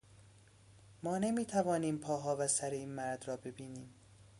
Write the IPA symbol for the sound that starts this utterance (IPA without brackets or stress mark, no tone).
m